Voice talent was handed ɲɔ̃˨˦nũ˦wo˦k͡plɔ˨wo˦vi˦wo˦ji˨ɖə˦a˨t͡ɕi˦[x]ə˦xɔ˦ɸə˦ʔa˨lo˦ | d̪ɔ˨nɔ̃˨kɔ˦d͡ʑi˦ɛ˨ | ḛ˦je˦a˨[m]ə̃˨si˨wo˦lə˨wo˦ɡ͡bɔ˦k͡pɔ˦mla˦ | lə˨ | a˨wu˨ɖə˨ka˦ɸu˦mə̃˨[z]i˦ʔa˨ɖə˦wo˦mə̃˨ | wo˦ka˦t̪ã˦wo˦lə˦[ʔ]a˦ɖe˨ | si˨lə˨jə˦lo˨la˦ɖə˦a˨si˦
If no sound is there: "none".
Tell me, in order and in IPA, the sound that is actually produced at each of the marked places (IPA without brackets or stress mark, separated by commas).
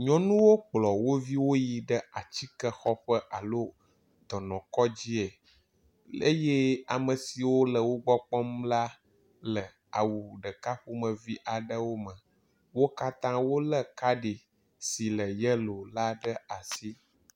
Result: k, m, v, k